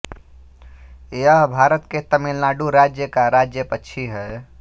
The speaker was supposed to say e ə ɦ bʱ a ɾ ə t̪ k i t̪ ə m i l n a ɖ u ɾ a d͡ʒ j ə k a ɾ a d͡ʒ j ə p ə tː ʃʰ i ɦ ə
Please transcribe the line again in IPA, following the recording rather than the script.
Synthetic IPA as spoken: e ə ɦ bʱ a ɾ ə t̪ k e t̪ ə m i l n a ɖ u ɾ a d͡ʒ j ə k a ɾ a d͡ʒ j ə p ə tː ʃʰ i ɦ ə

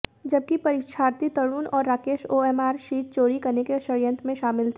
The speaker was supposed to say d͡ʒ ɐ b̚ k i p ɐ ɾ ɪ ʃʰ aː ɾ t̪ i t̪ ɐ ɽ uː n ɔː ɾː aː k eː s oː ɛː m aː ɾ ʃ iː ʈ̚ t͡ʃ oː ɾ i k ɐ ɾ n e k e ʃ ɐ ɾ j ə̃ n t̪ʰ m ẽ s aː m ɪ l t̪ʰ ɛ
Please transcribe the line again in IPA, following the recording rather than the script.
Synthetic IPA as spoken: d͡ʒ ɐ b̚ k i p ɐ ɾ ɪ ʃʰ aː ɾ t̪ i t̪ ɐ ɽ uː n ɔː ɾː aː k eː ʃ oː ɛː m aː ɾ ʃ iː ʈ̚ t͡ʃ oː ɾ i k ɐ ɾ n e k e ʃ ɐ ɾ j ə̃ n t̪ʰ m ẽ ʃ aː m ɪ l t̪ʰ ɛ

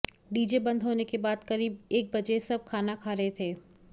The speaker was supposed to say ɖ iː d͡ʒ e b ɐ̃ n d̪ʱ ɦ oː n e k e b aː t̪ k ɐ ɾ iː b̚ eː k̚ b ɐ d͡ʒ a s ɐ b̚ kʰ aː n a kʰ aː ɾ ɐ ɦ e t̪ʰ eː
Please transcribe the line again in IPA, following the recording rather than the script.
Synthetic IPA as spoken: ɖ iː d͡ʒ e b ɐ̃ n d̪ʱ ɦ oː n e k e b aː d̪ k ɐ ɾ iː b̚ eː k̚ b ɐ d͡ʒ e s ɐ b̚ kʰ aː n a kʰ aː ɾ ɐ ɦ e t̪ʰ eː

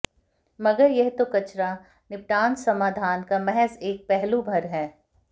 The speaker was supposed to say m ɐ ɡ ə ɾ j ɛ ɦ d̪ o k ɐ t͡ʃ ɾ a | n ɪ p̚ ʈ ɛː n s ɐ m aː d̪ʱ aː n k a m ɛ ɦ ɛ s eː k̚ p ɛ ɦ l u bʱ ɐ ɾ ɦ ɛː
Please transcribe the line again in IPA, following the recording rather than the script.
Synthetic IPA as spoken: m ɐ ɡ ə ɾ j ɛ ɦ t̪ o k ɐ t͡ʃ ɾ a | n ɪ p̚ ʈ aː n s ɐ m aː d̪ʱ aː n k a m ɛ ɦ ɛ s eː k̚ p ɛ ɦ l u bʱ ɐ ɾ ɦ ɛː

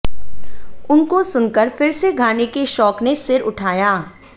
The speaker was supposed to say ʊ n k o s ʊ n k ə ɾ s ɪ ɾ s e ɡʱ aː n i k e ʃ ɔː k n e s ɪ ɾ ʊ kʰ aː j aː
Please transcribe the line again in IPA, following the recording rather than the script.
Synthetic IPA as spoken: ʊ n k o s ʊ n k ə ɾ f ɪ ɾ s e ɡʱ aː n e k e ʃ ɔː k n e s ɪ ɾ ʊ ʈʰ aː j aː

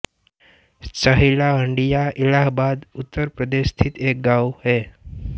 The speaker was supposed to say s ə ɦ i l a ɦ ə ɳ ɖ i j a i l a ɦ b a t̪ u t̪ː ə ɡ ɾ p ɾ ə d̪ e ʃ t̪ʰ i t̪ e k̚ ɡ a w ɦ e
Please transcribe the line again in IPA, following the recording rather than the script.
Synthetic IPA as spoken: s ə ɦ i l a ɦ ə ɳ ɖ i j a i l a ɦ b a d̪ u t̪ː ə ɾ p ɾ ə d̪ e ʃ t̪ʰ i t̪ e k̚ ɡ a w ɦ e

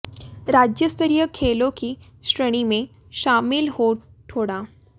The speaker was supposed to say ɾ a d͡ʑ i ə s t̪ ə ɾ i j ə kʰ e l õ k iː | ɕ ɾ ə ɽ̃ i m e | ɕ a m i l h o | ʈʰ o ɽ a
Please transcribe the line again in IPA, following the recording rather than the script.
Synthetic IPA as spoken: ɾ a d͡ʑ j ə s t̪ ə ɾ i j ə kʰ e l o k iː | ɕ ɾ ə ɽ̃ i m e | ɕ a m i l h o | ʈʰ o ɽ a

